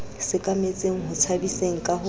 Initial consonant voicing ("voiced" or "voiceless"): voiceless